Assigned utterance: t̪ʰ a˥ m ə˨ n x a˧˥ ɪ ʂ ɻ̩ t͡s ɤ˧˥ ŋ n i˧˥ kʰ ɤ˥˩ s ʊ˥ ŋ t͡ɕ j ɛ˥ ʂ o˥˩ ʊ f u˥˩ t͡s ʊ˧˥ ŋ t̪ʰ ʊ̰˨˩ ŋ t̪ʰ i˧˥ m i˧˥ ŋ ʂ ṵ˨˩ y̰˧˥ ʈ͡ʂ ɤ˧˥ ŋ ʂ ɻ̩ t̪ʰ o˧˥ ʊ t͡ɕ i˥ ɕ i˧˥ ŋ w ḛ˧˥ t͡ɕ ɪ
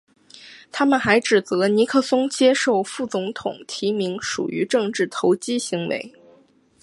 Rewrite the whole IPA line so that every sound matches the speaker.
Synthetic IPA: t̪ʰ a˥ m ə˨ n x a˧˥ ɪ ʈ͡ʂ ɻ̩ t͡s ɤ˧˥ n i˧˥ kʰ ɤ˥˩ s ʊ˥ ŋ t͡ɕ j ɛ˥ ʂ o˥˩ ʊ f u˥˩ t͡s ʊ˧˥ ŋ t̪ʰ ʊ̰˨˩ ŋ t̪ʰ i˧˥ m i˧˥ ŋ ʂ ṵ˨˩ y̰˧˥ ʈ͡ʂ ɤ˥˧ ŋ ʈ͡ʂ ɻ̩ t̪ʰ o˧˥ ʊ t͡ɕ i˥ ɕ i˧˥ ŋ w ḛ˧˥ ɪ